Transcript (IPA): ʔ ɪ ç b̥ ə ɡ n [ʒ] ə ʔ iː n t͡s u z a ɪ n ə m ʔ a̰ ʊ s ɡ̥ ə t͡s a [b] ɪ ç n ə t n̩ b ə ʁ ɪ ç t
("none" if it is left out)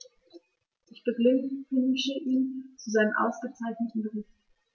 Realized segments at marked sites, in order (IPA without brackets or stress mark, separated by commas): ʃ, none